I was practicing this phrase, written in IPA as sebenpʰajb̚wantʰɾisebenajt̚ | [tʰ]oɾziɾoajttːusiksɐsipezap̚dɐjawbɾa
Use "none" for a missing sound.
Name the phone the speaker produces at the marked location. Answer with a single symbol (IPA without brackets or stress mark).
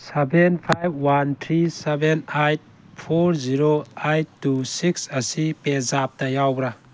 pʰ